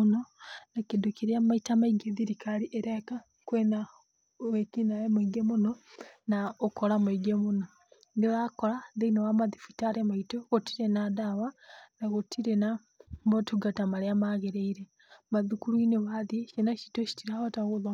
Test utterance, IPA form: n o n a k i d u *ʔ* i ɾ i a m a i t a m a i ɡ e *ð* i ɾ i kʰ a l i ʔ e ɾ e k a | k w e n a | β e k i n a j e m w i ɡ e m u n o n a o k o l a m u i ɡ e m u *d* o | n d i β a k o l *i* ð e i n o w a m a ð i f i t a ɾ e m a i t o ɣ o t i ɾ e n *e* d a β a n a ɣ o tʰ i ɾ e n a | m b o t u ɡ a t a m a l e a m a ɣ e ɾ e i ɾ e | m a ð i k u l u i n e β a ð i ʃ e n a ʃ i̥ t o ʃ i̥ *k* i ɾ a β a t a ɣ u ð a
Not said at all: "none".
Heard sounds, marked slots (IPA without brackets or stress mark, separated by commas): k, ð, n, a, a, t